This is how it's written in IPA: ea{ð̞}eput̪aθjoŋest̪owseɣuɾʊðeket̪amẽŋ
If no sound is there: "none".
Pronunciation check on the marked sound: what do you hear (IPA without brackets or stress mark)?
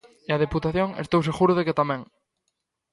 ð̞